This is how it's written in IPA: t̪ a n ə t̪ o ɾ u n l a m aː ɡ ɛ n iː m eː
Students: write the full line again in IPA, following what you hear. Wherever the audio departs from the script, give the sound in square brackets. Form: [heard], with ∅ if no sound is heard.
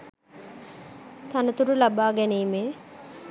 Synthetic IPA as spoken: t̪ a n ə t̪ [u] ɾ u [∅] l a [b] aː ɡ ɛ n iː m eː